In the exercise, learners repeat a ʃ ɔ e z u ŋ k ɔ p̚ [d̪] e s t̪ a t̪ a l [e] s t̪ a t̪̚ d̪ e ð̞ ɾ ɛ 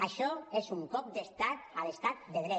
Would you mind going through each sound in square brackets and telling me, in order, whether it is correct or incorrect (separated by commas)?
correct, correct